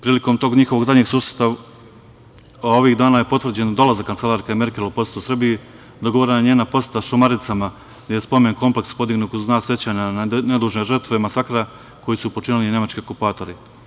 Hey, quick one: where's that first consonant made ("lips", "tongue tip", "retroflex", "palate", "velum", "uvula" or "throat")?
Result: lips